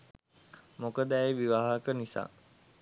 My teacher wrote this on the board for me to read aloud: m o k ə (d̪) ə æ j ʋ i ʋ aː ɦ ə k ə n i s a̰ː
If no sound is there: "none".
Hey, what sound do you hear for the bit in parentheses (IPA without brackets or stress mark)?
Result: d̪